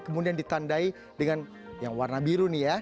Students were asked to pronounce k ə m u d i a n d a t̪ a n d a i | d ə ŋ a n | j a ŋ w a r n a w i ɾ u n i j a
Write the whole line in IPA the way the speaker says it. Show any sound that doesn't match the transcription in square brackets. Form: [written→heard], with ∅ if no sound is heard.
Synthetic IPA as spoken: k ə m u d i a n d [a→i] t̪ a n d a i | d ə ŋ a n | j a ŋ w a r n a [w→b] i ɾ u n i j a

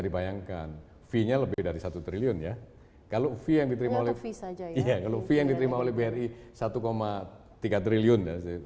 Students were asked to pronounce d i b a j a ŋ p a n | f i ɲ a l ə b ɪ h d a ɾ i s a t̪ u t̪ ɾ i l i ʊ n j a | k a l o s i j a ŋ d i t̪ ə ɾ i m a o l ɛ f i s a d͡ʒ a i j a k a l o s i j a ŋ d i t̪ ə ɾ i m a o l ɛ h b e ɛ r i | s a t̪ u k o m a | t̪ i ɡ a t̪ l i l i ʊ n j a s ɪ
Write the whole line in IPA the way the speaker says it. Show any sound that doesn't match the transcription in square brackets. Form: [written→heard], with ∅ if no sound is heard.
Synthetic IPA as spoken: d i b a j a ŋ [p→k] a n | f i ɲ a l ə b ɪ h d a ɾ i s a t̪ u t̪ ɾ i l i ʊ n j a | k a l o [s→f] i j a ŋ d i t̪ ə ɾ i m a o l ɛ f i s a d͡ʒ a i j a k a l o [s→f] i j a ŋ d i t̪ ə ɾ i m a o l ɛ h b e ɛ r i | s a t̪ u k o m a | t̪ i ɡ a t̪ [l→ɾ] i l i ʊ n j a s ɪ

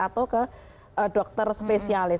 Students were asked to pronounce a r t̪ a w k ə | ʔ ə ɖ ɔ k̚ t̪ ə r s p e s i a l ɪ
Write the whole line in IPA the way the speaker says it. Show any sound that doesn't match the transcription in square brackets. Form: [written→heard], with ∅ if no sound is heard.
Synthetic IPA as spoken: a [r→∅] t̪ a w k ə | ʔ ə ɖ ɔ k̚ t̪ ə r s p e s i a l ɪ

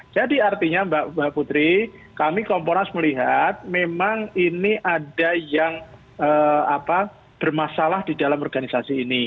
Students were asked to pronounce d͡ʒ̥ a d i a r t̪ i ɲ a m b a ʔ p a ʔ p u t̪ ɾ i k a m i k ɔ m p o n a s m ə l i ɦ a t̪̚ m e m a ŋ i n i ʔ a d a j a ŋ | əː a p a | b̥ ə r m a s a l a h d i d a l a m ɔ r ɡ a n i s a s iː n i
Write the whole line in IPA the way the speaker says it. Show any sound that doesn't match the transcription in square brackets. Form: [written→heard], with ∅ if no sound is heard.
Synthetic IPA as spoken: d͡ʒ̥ a d i a r t̪ i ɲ a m b a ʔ [p→b] a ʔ p u t̪ ɾ i k a m i k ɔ m p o n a s m ə l i ɦ a t̪̚ m e m a ŋ i n i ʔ a d a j a ŋ | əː a p a | b̥ ə r m a s a l a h d i d a l a m ɔ r ɡ a n i s a s iː n i

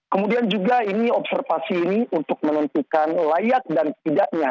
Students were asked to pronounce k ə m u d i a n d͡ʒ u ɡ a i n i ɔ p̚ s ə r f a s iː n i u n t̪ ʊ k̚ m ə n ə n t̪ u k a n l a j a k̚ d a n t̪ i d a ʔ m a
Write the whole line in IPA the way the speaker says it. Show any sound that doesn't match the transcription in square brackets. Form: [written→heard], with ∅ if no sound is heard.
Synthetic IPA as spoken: k ə m u d i a n d͡ʒ u ɡ a i n i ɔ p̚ s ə r f a s iː n i u n t̪ ʊ k̚ m ə n ə n t̪ u k a n l a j a k̚ d a n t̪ i d a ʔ [m→ɲ] a

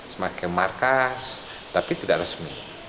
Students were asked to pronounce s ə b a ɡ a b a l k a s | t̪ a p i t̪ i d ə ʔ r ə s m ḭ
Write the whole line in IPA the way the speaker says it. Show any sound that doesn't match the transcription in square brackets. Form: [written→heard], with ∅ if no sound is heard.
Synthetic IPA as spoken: s ə [b→m] a [ɡ→k] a [b→m] a [l→r] k a s | t̪ a p i t̪ i d [ə→a] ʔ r ə s m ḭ

